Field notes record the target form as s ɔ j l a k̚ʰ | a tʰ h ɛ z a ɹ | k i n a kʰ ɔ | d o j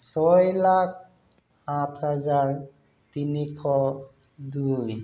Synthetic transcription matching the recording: s ɔ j l a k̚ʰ | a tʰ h a z a ɹ | t i n i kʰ ɔ | d u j

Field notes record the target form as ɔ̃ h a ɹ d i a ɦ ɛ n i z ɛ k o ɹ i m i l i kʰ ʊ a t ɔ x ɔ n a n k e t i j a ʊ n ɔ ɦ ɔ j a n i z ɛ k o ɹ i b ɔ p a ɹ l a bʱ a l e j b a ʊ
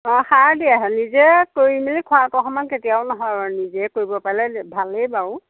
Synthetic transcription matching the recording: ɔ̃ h a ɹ d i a ɦ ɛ n i z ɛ k o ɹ i m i l i kʰ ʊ a t ɔ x ɔ m a n k e t i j a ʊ n ɔ ɦ ɔ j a n i z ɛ k o ɹ i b ɔ p a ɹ l ɛ bʱ a l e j b a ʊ

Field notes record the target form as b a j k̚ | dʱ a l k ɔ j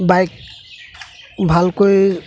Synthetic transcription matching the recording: b a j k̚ | bʱ a l k o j

